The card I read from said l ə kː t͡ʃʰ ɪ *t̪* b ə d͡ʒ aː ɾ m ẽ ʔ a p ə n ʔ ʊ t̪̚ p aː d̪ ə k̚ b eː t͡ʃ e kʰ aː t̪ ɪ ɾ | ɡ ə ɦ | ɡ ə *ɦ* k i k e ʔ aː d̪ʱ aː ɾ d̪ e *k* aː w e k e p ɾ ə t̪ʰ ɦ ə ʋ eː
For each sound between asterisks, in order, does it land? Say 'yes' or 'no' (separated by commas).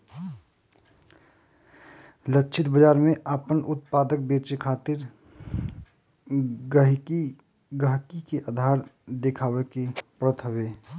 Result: yes, yes, no